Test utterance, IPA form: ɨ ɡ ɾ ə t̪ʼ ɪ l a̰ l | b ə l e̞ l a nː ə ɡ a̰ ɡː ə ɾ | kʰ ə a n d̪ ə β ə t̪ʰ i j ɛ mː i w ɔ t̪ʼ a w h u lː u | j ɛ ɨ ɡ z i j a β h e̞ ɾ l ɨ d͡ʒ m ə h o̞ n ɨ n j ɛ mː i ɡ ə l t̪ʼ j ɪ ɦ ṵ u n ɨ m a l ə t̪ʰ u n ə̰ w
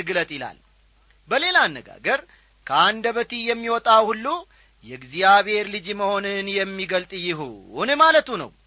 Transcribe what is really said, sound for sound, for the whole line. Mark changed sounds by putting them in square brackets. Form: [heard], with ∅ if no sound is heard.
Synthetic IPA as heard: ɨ ɡ [l] ə t̪ʼ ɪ l a̰ l | b ə l e̞ l a nː ə ɡ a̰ [ɡ] ə ɾ | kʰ ə a n d̪ ə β ə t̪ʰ i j ɛ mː i w ɔ t̪ʼ a w h u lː u | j ɛ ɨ ɡ z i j a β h e̞ ɾ l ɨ d͡ʒ m ə h o̞ n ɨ n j ɛ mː i ɡ ə l t̪ʼ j ɪ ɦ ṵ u n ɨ m a l ə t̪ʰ u n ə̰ w